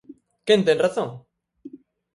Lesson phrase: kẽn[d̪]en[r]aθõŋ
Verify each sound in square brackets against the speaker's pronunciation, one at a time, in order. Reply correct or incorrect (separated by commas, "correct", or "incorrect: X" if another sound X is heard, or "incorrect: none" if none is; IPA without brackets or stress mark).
incorrect: t̪, correct